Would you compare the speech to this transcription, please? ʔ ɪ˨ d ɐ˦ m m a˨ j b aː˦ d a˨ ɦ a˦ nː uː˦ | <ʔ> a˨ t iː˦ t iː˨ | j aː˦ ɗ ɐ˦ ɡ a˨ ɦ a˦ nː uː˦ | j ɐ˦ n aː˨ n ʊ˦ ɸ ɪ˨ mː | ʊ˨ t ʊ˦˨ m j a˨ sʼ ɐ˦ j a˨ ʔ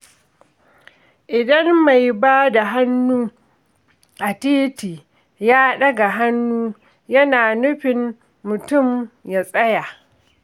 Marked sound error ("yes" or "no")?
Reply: no